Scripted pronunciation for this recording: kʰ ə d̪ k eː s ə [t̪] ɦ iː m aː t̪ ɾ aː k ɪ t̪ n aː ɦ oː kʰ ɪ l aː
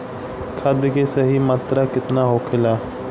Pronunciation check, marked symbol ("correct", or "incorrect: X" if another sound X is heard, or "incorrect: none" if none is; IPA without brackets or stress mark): incorrect: none